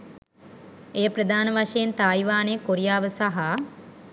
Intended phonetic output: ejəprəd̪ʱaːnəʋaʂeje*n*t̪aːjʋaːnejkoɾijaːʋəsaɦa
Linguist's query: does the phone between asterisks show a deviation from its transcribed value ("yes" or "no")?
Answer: no